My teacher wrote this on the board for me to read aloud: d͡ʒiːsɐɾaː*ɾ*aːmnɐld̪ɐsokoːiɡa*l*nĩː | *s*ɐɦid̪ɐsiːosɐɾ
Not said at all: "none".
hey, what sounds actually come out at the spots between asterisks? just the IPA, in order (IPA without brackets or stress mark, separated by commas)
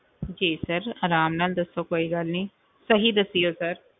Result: ɾ, l, s